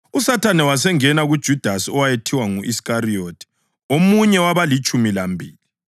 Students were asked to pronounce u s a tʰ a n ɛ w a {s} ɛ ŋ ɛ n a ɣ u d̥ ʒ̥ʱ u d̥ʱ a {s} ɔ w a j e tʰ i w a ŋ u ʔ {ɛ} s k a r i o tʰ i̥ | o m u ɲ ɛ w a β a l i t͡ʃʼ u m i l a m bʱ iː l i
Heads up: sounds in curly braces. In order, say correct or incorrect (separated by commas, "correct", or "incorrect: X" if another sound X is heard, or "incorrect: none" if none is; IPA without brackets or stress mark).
correct, correct, incorrect: i